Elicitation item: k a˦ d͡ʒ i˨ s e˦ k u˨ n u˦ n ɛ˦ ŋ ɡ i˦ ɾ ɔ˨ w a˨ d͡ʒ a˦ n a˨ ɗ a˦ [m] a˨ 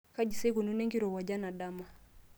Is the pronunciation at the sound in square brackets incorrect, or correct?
correct